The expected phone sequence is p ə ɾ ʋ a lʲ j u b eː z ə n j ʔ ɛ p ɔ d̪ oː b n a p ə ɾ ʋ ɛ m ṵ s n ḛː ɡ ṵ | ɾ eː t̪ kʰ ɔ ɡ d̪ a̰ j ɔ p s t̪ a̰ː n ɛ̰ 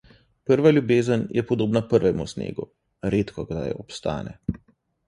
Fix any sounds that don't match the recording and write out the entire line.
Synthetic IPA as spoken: p ə ɾ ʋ a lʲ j u b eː z ə n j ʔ ɛ p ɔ d̪ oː b n a p ə ɾ ʋ ɛ m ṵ s n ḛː ɡ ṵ | ɾ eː t̪ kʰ ɔ ɡ d̪ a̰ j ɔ p s t̪ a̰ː n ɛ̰